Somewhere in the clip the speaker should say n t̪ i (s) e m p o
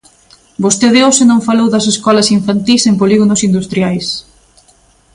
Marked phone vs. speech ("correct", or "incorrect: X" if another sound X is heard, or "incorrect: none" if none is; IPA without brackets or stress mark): correct